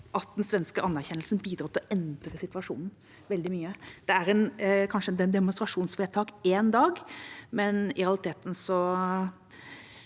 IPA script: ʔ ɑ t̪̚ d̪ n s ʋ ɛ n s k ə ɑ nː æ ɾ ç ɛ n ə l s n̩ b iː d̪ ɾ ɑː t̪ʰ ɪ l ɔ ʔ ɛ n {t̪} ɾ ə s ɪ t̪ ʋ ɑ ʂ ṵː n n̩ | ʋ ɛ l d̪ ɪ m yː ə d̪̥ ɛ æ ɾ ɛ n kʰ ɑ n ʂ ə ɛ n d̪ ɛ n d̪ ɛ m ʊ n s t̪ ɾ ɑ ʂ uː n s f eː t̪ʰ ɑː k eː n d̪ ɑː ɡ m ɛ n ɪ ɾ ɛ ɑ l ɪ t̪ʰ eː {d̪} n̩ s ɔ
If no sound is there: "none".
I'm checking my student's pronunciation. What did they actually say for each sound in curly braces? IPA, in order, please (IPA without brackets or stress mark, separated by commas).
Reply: d̪, t̪